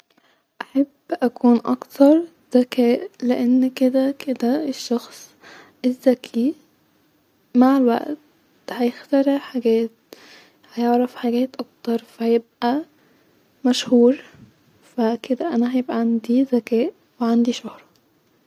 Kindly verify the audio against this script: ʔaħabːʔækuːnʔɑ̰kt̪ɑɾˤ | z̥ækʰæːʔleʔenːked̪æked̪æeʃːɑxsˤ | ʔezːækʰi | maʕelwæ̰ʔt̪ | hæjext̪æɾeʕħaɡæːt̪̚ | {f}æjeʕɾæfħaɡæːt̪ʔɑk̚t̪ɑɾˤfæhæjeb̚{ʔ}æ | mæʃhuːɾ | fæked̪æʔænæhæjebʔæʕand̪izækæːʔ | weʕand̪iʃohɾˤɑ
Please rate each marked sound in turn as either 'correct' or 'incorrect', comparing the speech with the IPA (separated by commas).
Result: incorrect, correct